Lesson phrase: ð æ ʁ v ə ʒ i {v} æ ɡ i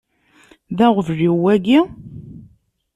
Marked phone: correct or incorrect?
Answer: incorrect